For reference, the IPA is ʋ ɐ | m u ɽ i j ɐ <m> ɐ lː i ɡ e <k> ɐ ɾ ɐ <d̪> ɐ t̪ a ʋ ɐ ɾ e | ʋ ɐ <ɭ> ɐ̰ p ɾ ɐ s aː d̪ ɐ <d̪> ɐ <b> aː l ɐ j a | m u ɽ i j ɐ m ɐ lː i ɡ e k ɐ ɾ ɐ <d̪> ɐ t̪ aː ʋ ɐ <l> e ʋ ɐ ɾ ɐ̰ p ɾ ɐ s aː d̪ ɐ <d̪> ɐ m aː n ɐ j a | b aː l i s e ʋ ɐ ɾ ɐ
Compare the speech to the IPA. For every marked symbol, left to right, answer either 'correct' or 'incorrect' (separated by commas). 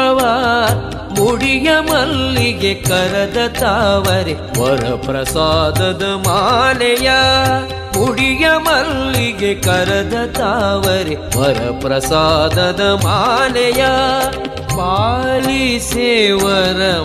correct, correct, correct, incorrect, correct, incorrect, correct, incorrect, correct